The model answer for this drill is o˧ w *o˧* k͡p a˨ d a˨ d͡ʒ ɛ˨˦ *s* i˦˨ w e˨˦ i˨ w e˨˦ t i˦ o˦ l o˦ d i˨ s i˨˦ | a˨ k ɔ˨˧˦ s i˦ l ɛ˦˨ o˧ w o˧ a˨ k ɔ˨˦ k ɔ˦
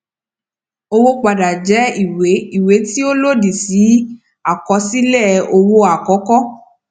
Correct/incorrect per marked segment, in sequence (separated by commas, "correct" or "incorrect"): correct, incorrect